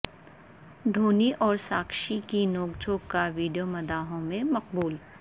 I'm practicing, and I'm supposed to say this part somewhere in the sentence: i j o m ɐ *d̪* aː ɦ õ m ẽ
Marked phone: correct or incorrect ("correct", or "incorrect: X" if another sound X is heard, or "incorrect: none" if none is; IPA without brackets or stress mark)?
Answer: correct